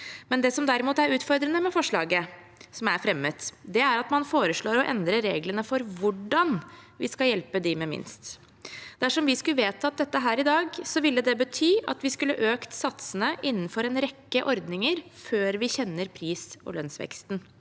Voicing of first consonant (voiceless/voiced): voiced